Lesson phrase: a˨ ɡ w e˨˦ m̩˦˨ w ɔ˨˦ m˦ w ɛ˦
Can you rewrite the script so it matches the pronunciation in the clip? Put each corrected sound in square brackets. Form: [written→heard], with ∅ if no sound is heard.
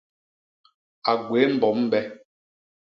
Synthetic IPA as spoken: a˨ ɡ w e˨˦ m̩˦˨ [w→b] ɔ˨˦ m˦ [w→b] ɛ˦